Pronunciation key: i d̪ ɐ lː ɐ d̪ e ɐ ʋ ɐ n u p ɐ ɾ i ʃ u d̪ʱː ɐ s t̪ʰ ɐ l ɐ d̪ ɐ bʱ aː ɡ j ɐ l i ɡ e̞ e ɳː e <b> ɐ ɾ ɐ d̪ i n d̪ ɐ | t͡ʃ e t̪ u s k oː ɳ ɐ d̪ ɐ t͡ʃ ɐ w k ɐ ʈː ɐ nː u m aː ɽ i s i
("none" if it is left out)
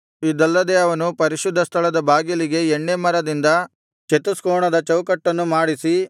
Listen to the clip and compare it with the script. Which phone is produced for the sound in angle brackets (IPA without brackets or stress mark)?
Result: m